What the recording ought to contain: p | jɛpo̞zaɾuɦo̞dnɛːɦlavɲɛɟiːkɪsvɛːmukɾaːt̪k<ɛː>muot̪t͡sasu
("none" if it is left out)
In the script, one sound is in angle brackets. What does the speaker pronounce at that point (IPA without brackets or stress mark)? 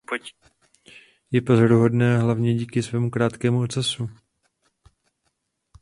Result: ɛː